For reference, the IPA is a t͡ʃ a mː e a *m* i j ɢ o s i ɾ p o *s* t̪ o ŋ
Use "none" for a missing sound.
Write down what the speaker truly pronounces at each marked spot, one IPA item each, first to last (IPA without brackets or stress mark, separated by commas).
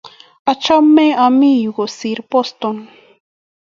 m, s